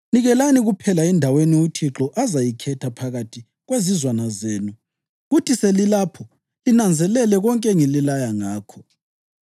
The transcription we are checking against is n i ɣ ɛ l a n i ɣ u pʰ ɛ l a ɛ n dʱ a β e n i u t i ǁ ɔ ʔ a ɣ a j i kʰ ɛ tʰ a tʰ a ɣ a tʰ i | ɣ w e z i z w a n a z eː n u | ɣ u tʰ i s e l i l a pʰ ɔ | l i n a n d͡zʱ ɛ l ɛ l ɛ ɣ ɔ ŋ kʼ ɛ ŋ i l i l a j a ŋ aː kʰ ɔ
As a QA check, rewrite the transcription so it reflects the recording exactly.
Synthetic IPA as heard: n i ɣ ɛ l a n i ɣ u pʰ ɛ l a ɛ n dʱ a w e n i u tʰ i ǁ ɔ ʔ a z a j i kʰ ɛ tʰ a pʰ a ɣ a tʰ i | ɣ w e z i z w a n a z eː n u | ɣ u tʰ i s e l i l a pʰ ɔ | l i n a n d͡zʱ ɛ l ɛ l ɛ ɣ ɔ ŋ kʼ ɛ ŋ i l i l a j a ŋ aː kʰ ɔ